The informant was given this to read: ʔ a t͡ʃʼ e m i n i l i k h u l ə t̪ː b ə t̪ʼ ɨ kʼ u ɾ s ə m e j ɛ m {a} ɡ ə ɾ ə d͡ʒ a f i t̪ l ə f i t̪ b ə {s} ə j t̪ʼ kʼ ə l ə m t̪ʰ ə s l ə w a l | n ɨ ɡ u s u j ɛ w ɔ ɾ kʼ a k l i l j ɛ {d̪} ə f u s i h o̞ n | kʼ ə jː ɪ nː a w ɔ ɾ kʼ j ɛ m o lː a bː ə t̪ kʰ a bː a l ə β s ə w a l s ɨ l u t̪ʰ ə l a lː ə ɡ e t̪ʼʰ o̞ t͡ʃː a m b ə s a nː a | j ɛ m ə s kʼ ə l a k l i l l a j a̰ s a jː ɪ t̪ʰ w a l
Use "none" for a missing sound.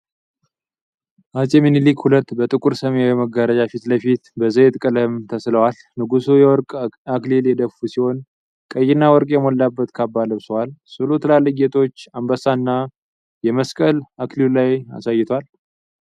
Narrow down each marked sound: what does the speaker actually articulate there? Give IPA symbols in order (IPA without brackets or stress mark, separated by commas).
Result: ə, z, d̪